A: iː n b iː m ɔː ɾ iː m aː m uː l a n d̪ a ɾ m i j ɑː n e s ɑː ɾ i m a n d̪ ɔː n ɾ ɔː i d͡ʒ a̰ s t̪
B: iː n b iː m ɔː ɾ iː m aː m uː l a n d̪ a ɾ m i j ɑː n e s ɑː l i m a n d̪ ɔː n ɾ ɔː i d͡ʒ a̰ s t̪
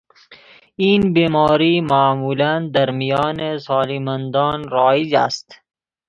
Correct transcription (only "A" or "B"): B